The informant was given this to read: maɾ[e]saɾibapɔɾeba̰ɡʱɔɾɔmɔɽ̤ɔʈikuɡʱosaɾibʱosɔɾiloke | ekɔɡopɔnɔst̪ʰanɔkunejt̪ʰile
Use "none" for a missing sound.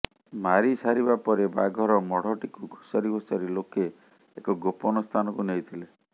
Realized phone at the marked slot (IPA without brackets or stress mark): i